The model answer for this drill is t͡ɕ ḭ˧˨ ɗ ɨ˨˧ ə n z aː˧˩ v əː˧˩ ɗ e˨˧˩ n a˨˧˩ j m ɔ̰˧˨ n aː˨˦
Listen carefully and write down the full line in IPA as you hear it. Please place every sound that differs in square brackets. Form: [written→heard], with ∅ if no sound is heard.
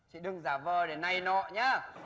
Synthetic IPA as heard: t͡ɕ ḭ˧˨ ɗ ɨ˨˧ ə [n→ŋ] z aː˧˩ v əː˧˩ ɗ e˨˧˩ n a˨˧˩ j [m→n] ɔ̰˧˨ [n→ɲ] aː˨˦

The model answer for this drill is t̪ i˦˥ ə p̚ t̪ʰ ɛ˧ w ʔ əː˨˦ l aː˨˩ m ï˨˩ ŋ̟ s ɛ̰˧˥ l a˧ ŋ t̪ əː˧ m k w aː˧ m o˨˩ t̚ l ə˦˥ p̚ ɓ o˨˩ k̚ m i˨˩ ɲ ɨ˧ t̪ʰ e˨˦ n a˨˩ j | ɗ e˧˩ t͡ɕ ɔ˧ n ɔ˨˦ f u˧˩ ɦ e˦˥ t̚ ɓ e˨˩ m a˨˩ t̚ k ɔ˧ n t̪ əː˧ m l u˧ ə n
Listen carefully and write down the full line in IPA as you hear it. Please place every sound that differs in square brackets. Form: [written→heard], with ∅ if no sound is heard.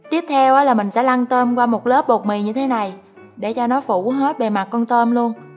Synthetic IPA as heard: t̪ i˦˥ ə p̚ t̪ʰ ɛ˧ w ʔ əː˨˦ l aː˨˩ m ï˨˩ ŋ̟ s ɛ̰˧˥ l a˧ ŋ t̪ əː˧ m k w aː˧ m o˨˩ t̚ l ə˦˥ p̚ ɓ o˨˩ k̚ m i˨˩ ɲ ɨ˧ t̪ʰ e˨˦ n a˨˩ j | ɗ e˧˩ t͡ɕ ɔ˧ n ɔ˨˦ f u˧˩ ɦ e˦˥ t̚ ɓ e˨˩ m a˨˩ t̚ k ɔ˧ n t̪ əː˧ m l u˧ ə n

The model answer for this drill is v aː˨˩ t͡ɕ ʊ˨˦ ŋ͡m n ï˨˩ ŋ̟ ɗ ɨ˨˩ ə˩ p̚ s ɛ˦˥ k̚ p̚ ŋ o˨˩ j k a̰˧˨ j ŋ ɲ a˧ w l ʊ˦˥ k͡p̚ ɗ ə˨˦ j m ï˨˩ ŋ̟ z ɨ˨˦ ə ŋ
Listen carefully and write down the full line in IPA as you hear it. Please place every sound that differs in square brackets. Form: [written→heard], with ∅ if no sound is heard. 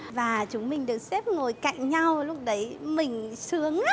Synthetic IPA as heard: v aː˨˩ t͡ɕ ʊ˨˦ ŋ͡m [n→m] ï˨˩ ŋ̟ ɗ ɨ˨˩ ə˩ [p̚→k̚] s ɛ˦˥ [k̚→∅] p̚ ŋ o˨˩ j k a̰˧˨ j ŋ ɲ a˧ w l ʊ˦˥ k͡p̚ ɗ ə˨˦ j m ï˨˩ ŋ̟ [z→s] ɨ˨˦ ə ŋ

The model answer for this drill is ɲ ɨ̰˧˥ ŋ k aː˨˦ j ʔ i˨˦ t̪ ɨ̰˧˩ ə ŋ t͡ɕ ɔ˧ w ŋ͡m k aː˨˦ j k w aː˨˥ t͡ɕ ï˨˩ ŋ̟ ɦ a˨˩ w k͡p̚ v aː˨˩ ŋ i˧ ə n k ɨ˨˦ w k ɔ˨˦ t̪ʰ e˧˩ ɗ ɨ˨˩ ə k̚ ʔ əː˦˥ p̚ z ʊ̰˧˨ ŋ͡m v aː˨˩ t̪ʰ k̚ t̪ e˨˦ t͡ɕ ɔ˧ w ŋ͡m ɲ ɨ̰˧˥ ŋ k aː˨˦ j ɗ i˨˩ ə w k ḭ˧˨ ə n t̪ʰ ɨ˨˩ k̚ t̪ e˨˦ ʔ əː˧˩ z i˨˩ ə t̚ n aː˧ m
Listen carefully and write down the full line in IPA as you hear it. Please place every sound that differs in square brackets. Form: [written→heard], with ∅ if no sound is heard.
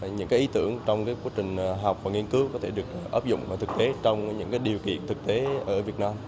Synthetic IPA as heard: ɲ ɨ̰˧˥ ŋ k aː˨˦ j ʔ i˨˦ t̪ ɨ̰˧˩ ə ŋ t͡ɕ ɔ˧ w ŋ͡m k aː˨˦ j k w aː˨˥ t͡ɕ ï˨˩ ŋ̟ ɦ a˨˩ w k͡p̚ v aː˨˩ ŋ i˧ ə n k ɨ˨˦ w k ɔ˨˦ t̪ʰ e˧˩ ɗ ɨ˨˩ ə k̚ ʔ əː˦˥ p̚ z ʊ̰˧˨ ŋ͡m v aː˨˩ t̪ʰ k̚ t̪ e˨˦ t͡ɕ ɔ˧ w ŋ͡m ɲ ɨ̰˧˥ ŋ k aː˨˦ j ɗ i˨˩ ə w k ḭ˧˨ ə n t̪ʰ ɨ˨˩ k̚ t̪ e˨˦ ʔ əː˧˩ [z→v] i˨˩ ə t̚ n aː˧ m

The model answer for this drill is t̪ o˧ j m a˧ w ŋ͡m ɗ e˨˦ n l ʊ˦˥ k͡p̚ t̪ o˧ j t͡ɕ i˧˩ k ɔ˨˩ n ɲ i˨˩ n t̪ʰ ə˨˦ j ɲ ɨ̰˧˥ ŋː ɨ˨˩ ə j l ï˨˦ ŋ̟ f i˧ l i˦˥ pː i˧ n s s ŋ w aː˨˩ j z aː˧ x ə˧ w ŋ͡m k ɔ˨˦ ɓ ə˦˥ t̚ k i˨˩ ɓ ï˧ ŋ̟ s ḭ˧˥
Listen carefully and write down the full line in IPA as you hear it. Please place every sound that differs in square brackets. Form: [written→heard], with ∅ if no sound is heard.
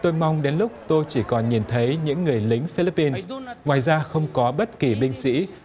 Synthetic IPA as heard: t̪ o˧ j m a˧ w ŋ͡m ɗ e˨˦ n l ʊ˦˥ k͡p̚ t̪ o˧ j t͡ɕ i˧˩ k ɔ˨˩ n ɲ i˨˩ n t̪ʰ ə˨˦ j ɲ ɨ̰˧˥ ŋː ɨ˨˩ ə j l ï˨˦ ŋ̟ f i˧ l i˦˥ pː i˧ n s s ŋ w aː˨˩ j z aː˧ x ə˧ w ŋ͡m k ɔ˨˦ ɓ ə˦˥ t̚ k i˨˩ ɓ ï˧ ŋ̟ s ḭ˧˥

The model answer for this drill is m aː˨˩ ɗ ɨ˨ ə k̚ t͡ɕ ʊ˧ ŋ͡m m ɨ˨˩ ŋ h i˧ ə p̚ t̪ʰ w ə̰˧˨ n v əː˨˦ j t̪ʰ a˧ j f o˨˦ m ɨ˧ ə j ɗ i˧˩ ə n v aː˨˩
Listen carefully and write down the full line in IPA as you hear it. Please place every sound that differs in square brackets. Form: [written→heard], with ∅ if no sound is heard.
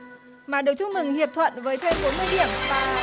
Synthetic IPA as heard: m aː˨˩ ɗ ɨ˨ ə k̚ t͡ɕ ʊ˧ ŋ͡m m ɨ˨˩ ŋ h [i˧→i˨˩] ə p̚ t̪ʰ w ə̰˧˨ n v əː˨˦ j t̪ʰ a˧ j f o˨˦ m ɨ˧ ə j ɗ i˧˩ ə [n→m] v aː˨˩

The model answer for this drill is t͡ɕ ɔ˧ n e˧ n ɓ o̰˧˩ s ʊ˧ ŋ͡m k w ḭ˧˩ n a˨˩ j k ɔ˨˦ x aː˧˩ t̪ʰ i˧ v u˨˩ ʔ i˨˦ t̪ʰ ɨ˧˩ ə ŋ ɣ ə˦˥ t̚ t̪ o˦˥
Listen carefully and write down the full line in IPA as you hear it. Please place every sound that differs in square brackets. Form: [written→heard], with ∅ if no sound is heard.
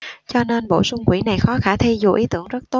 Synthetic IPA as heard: t͡ɕ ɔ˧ n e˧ n ɓ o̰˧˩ s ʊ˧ ŋ͡m k w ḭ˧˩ n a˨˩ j [k→x] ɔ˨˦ x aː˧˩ t̪ʰ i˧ [v→z] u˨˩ ʔ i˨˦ [t̪ʰ→t̪] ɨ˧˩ ə ŋ [ɣ→z] ə˦˥ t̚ t̪ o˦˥

